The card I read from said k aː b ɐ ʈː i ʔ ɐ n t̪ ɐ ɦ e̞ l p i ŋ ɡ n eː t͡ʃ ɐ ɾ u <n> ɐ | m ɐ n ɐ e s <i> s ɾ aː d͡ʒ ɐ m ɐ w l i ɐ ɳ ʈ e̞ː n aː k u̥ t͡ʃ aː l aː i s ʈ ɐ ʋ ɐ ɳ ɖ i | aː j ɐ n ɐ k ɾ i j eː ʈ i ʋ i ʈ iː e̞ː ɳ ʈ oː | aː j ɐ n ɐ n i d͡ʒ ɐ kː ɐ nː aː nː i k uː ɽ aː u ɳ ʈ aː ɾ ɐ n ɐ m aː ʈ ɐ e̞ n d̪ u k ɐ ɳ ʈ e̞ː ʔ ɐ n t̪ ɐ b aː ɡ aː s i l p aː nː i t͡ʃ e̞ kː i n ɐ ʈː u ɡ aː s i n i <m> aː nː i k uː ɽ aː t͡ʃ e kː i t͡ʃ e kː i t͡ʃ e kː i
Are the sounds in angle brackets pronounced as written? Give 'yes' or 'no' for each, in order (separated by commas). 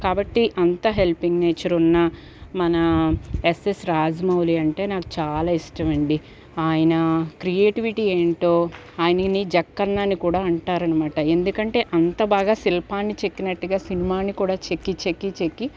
no, no, yes